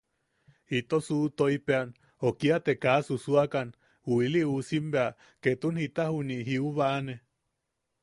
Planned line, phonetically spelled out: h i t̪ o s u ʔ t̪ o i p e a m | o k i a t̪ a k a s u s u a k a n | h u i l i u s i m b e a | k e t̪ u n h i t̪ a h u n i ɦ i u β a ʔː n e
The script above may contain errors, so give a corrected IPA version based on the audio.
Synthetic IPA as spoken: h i t̪ o s u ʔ t̪ o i p e a n | o k i a t̪ e k a s u s u a k a n | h u i l i u s i m b e a | k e t̪ u n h i t̪ a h u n i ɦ i u β a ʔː n e